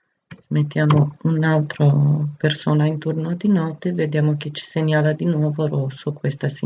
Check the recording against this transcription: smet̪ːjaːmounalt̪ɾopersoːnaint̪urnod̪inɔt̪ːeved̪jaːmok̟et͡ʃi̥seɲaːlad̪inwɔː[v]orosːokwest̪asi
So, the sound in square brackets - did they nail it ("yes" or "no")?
yes